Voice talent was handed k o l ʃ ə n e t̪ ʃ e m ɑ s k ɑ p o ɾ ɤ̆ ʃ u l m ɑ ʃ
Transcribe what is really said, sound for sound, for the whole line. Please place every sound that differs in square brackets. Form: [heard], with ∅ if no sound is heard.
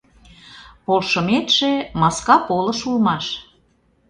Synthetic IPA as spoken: [p] o l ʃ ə [m] e t̪ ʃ e m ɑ s k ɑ p o [l] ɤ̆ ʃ u l m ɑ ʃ